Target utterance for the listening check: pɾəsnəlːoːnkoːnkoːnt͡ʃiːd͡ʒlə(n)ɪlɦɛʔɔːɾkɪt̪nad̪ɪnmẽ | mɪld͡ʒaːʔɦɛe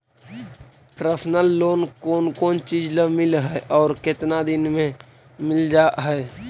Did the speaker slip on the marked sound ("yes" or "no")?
yes